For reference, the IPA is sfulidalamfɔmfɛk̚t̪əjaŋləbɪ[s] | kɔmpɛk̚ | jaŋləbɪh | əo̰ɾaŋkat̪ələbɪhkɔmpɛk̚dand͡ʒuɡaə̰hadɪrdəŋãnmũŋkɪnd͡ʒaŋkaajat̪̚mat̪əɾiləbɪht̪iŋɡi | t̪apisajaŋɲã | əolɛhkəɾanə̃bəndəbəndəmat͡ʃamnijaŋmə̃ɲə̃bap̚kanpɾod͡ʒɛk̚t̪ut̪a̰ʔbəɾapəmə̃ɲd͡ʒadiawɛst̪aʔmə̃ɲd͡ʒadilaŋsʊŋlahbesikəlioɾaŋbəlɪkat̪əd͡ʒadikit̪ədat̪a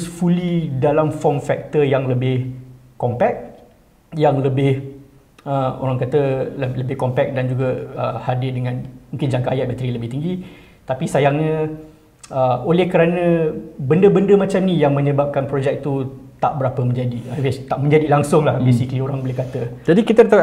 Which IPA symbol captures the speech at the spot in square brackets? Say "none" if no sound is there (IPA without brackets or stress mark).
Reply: h